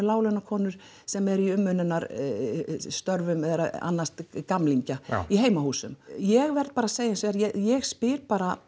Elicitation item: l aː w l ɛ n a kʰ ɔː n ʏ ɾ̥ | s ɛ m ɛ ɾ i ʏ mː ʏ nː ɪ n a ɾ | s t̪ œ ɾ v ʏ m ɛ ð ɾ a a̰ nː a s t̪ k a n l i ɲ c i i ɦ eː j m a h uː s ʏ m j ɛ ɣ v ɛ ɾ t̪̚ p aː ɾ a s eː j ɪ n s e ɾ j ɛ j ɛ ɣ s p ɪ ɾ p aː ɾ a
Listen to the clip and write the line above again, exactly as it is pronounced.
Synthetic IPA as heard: l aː w l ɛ n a kʰ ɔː n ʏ ɾ̥ | s ɛ m ɛ ɾ i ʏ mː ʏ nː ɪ n a ɾ | s t̪ œ ɾ v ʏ m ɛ ð ɾ a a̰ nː a s t̪ k a m l i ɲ c a i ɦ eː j m a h uː s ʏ m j ɛ ɣ v ɛ ɾ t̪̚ p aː ɾ a s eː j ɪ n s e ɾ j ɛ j ɛ ɣ s p ɪ ɾ p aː ɾ a